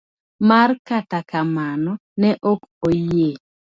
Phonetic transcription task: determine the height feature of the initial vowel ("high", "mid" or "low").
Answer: low